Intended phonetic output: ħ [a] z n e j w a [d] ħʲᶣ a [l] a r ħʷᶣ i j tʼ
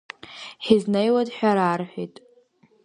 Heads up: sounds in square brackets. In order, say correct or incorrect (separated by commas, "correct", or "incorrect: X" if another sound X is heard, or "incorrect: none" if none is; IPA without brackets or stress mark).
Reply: incorrect: i, correct, incorrect: ɾ